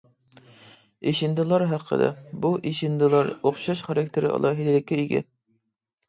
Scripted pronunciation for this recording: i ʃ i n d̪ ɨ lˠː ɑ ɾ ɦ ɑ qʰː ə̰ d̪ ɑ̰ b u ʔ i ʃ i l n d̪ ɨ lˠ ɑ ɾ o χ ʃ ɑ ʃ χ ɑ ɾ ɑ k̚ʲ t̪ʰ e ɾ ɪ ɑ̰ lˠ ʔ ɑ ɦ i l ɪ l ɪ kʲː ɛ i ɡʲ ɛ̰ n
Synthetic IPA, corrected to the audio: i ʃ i n d̪ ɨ lˠ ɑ ɾ ɦ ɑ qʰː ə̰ d̪ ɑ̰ b u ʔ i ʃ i n d̪ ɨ lˠ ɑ ɾ o χ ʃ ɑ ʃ χ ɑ ɾ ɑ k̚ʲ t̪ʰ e ɾ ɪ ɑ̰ lˠ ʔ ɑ ɦ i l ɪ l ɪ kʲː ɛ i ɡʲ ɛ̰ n